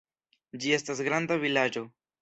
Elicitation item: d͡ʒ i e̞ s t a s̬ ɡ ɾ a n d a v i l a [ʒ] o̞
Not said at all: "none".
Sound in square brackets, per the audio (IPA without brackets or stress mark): d͡ʒ